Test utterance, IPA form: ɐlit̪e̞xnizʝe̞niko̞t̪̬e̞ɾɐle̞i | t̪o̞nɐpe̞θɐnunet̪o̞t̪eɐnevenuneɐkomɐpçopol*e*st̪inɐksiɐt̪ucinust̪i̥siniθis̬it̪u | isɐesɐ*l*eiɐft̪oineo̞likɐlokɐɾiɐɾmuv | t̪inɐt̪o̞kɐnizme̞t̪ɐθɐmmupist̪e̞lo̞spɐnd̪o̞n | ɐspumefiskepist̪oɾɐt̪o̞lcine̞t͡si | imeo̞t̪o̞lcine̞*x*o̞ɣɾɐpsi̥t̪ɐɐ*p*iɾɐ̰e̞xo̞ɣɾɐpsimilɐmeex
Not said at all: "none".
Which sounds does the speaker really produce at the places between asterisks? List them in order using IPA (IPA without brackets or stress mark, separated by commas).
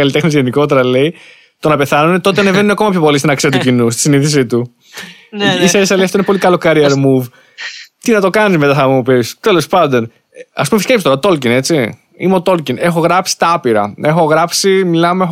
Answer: i, l, x, p